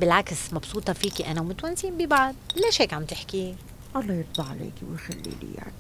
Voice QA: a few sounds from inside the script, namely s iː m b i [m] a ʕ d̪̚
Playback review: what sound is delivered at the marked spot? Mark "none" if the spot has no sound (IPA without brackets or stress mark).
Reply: b